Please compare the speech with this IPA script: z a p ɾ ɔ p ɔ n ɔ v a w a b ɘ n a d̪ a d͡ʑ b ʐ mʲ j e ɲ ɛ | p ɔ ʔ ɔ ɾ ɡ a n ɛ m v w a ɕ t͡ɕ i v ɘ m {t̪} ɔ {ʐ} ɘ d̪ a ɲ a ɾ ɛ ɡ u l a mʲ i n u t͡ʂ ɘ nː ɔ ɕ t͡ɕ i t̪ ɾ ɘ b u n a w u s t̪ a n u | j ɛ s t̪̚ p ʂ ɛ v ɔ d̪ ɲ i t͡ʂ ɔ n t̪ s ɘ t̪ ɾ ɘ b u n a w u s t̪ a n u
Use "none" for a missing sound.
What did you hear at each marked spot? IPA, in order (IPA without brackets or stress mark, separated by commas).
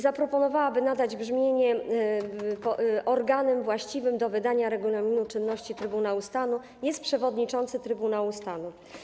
d̪, v